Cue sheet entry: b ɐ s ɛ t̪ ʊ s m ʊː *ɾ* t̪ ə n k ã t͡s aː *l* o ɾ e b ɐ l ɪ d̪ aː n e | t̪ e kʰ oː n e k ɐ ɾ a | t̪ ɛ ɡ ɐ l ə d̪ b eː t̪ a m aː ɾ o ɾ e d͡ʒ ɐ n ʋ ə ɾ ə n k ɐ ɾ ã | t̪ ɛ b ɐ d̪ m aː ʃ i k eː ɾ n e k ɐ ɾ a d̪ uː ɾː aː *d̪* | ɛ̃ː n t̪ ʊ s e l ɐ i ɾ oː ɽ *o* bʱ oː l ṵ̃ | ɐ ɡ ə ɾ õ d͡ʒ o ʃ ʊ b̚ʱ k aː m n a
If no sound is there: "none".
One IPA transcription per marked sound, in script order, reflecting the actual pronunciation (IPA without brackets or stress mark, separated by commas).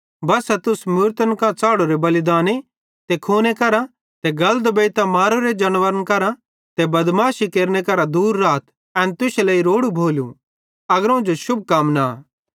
ɾ, ɽ, t̪, u